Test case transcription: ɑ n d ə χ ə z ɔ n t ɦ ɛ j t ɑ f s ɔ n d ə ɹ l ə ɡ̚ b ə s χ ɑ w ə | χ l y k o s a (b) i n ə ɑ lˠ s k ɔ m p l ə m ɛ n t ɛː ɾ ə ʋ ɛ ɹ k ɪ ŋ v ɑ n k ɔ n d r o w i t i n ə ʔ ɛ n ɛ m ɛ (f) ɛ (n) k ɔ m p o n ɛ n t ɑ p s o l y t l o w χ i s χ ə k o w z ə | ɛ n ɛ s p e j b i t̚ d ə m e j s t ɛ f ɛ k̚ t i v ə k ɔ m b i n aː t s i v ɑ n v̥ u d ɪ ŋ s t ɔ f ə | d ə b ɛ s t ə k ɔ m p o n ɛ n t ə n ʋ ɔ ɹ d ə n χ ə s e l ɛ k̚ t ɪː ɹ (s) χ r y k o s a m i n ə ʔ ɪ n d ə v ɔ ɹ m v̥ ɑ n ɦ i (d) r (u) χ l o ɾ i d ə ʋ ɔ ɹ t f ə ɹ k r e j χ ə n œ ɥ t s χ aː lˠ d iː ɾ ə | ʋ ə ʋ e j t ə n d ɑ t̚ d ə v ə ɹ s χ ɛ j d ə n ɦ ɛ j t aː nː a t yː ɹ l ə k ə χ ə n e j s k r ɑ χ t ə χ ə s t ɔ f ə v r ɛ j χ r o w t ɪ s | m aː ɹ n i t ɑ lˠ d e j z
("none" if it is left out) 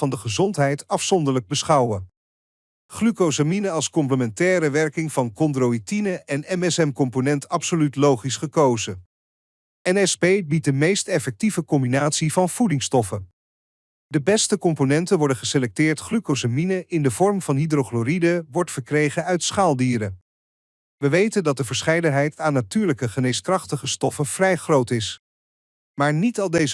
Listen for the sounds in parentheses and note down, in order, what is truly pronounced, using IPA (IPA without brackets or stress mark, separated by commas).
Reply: m, s, m, t, d, o